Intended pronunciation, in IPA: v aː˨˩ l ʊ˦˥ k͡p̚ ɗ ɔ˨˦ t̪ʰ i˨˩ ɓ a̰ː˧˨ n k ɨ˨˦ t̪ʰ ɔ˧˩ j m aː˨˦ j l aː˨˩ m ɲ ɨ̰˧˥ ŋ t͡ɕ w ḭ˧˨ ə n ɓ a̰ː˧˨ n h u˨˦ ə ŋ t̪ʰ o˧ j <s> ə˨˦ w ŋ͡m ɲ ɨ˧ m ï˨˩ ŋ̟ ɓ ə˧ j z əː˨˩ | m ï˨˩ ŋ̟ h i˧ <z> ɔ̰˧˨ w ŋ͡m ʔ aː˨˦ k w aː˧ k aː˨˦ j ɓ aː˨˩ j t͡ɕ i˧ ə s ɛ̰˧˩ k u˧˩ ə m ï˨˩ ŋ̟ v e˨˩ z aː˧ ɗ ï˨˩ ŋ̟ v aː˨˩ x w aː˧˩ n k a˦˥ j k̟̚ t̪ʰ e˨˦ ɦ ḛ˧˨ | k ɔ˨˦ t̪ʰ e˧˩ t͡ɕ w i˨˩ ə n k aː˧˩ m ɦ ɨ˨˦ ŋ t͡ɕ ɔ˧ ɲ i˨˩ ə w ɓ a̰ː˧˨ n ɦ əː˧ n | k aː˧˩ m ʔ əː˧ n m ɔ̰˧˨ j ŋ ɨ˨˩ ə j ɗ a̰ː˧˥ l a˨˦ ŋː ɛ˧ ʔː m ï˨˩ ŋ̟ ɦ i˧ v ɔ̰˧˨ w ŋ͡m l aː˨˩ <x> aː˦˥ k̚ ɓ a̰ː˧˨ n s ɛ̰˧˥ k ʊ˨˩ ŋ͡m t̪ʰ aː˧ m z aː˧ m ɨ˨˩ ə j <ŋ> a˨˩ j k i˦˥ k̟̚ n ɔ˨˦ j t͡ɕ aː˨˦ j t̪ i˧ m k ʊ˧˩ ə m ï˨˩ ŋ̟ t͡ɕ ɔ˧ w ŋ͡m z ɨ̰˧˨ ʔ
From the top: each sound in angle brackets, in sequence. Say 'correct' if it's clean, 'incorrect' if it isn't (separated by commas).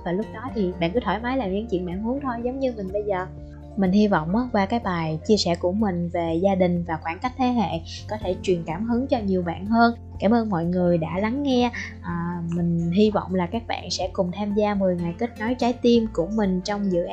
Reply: incorrect, incorrect, incorrect, correct